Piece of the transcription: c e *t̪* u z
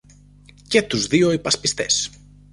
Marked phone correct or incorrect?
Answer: correct